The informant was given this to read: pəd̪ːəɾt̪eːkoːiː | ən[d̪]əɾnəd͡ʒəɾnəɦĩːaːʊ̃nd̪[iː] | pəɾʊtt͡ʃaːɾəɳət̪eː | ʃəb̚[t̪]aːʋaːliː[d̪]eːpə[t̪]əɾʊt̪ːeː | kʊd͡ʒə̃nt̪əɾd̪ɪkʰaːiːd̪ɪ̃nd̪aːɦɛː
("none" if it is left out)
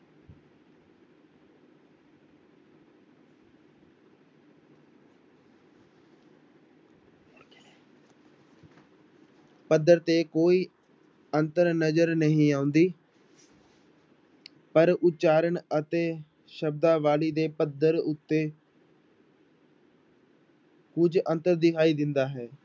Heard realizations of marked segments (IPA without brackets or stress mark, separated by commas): t̪, iː, d̪, d̪, d̪